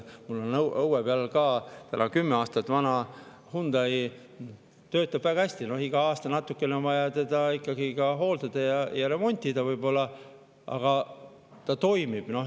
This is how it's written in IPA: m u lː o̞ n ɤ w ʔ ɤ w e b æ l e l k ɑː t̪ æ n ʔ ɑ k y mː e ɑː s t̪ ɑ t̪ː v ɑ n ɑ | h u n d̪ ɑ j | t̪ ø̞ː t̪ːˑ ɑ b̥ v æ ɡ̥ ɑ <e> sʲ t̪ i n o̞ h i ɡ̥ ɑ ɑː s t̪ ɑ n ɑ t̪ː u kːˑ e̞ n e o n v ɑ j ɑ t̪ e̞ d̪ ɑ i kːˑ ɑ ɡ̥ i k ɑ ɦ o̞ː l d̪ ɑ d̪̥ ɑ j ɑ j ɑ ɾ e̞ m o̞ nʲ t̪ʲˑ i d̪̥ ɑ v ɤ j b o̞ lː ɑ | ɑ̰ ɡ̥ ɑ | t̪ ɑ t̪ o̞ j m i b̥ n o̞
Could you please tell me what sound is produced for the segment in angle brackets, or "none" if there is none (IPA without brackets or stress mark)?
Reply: æ